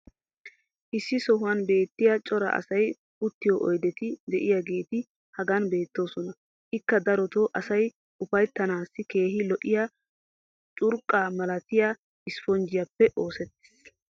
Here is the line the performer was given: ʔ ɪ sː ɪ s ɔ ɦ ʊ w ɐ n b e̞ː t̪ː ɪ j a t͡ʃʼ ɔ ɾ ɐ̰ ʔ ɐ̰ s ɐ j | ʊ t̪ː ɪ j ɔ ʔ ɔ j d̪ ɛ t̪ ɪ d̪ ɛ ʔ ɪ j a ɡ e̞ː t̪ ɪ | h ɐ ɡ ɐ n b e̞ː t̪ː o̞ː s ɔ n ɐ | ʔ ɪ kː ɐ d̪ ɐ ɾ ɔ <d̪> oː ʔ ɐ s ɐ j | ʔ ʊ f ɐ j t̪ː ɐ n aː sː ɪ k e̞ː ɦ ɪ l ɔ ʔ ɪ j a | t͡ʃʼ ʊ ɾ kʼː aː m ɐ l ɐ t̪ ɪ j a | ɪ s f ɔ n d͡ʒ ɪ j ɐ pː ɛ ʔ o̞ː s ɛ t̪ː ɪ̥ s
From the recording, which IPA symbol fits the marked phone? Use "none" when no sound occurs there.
t̪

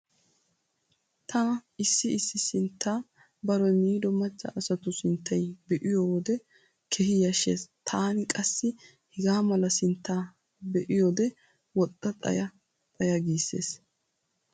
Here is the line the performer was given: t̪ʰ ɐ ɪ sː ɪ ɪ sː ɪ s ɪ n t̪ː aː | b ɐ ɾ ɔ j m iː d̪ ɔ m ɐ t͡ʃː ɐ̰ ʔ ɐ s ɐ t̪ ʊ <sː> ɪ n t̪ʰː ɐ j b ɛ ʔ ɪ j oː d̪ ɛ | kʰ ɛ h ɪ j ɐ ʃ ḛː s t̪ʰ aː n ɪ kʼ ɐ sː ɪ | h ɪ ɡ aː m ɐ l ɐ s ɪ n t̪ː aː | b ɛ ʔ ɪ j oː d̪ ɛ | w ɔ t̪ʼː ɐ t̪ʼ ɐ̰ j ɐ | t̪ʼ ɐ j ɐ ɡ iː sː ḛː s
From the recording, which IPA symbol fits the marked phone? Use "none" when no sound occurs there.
s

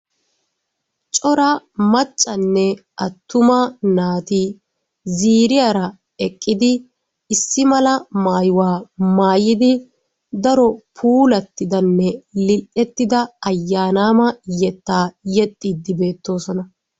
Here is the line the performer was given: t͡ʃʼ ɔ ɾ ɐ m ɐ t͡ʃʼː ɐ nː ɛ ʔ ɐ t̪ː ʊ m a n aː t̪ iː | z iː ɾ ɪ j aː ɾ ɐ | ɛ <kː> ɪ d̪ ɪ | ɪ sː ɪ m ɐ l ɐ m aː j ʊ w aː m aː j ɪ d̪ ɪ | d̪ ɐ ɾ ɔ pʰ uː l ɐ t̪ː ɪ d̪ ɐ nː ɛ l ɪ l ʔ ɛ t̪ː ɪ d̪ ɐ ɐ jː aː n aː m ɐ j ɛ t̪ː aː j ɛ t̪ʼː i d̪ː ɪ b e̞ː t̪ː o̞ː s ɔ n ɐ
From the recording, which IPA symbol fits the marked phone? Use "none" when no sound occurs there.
kʼː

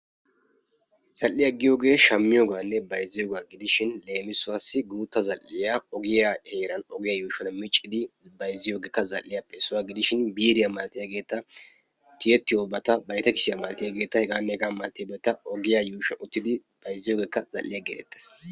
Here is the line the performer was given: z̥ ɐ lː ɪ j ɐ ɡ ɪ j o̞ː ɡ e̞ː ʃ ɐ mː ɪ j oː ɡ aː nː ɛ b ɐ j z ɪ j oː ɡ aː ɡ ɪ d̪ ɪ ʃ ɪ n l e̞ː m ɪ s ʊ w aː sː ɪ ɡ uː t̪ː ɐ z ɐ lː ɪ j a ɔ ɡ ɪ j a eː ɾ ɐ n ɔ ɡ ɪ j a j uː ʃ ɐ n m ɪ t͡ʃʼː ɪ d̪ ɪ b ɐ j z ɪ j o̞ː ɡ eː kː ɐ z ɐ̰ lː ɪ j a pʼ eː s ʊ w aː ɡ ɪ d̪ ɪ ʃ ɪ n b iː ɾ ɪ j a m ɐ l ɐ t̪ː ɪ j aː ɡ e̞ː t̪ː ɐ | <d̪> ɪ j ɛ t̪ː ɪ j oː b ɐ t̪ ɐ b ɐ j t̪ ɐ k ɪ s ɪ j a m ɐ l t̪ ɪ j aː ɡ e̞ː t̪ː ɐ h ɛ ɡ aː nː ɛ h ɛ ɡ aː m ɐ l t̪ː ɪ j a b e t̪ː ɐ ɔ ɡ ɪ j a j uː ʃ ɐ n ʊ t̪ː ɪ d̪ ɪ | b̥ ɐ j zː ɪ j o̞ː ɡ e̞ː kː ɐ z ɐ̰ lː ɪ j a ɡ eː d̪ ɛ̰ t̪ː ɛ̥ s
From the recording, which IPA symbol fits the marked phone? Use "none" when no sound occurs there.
t̪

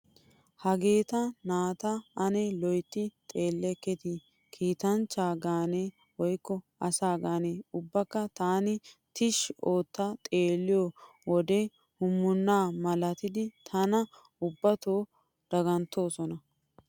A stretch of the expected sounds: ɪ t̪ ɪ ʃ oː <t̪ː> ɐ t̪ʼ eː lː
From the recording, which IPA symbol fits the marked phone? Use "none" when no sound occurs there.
t̪ː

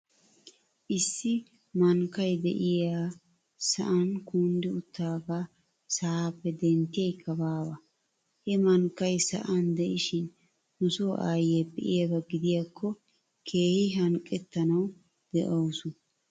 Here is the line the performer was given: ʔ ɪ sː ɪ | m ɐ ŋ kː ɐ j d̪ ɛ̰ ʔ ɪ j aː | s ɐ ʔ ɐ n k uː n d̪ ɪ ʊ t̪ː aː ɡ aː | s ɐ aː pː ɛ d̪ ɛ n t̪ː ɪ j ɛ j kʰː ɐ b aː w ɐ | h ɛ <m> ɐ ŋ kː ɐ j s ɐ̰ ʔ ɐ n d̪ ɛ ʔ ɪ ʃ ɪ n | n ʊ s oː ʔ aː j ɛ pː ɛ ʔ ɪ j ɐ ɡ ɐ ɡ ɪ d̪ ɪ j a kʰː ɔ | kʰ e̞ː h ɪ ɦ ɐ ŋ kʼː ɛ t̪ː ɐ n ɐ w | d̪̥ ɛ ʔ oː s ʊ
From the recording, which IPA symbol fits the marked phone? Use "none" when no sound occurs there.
m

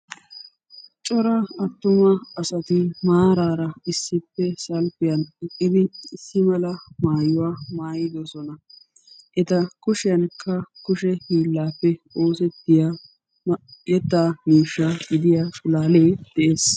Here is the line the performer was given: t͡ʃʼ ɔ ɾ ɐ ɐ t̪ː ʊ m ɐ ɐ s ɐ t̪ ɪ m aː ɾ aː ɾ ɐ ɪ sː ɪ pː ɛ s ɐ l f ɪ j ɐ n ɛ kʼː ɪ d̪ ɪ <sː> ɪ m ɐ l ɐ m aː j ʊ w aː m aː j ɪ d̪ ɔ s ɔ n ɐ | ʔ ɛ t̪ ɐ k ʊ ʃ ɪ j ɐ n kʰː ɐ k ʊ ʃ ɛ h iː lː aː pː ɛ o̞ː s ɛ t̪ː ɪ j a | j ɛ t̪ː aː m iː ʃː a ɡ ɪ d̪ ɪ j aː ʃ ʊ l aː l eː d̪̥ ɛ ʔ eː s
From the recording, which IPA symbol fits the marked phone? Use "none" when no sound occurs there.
sː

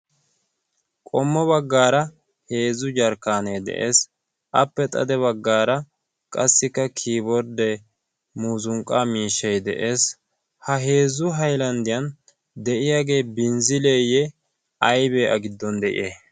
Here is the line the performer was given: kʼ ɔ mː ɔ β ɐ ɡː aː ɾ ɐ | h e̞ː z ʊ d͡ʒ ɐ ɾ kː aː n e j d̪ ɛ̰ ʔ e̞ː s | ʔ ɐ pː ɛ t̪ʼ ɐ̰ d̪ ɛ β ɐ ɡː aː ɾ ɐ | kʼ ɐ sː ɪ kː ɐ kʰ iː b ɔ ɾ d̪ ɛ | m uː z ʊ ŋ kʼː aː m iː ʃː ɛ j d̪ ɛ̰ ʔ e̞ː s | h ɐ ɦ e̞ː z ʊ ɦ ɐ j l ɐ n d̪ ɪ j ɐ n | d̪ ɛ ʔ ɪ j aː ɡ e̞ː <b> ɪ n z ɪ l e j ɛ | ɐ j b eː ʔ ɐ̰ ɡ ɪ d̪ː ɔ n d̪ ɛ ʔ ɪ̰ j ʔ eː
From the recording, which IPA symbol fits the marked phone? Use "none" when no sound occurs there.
b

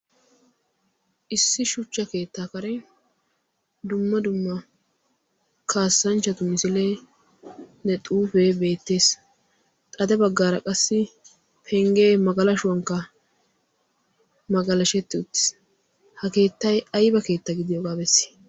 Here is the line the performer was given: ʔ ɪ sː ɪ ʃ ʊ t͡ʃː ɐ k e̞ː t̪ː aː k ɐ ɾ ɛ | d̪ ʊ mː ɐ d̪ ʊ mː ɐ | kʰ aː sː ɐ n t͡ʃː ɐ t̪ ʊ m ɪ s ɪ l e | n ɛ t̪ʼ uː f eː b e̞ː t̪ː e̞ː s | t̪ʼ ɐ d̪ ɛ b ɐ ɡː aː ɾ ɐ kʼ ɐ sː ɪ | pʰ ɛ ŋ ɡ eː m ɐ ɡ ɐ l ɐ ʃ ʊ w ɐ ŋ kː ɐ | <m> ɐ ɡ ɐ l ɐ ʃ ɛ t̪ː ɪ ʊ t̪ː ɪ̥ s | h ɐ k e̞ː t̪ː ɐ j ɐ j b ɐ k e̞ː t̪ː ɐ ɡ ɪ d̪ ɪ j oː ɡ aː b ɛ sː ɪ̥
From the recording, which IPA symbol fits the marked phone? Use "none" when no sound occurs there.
m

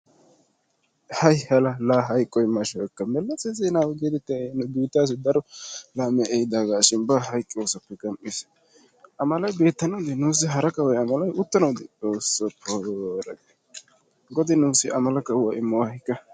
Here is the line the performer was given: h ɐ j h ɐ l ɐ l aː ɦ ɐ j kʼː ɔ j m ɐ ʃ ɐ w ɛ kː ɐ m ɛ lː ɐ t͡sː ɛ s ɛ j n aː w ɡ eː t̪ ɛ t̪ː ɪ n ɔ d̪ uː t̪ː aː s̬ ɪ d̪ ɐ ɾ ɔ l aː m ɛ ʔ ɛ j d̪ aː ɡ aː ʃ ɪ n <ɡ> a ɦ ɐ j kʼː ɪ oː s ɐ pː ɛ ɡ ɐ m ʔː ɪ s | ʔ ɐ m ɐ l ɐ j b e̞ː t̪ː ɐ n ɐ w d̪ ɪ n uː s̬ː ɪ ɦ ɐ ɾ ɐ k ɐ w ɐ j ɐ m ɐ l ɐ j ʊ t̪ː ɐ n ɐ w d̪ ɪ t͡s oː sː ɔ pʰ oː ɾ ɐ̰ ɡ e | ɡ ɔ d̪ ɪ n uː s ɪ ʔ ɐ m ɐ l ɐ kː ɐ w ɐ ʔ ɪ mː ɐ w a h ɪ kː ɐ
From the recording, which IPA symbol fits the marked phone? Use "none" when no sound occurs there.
b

